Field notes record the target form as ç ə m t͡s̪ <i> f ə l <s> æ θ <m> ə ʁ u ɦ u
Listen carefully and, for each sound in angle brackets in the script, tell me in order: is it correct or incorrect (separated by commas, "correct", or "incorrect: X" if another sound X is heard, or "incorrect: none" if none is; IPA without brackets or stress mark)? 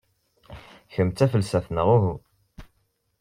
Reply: incorrect: æ, correct, incorrect: n